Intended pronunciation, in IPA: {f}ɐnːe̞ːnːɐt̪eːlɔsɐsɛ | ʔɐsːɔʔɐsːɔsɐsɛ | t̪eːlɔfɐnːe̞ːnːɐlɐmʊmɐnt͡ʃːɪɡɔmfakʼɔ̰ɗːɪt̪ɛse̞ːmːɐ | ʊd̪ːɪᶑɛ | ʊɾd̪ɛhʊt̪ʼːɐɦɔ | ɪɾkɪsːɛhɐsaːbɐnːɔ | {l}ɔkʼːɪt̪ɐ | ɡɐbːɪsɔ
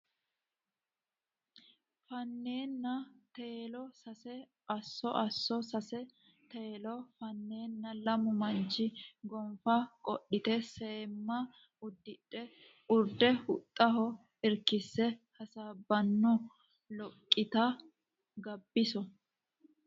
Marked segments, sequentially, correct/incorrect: correct, correct

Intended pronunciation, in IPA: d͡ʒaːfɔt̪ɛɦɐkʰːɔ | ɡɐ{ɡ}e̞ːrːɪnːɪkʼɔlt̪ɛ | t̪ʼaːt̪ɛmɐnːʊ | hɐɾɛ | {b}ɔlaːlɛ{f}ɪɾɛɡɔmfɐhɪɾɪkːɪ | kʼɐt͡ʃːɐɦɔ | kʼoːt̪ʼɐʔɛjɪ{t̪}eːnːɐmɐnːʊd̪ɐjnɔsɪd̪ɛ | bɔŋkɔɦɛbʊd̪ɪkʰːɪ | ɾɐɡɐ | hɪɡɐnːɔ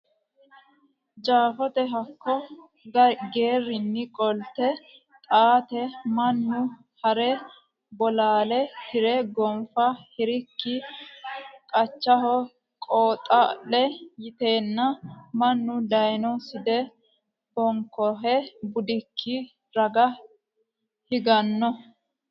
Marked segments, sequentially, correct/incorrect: correct, correct, incorrect: h, correct

